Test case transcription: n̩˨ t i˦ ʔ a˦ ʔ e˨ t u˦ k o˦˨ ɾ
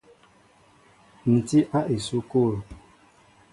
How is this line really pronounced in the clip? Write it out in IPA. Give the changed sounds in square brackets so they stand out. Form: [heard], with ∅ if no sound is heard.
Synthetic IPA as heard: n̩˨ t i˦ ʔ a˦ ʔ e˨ [s] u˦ k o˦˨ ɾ